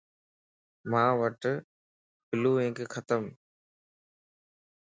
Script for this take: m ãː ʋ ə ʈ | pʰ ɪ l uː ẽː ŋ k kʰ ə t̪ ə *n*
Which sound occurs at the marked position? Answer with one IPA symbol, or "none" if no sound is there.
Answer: m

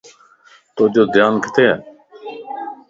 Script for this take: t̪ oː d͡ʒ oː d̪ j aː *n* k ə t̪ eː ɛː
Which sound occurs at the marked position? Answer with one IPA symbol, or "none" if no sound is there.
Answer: n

